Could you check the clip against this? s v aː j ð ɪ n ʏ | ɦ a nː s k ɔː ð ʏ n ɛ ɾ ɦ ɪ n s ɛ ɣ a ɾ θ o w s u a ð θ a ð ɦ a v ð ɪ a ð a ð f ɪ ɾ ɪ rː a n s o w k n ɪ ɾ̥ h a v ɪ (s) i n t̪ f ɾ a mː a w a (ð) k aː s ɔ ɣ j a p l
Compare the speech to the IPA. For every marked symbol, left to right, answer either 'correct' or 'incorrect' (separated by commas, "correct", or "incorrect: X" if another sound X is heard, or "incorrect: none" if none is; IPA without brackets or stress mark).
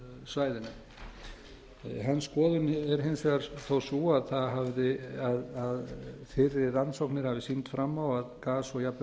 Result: correct, correct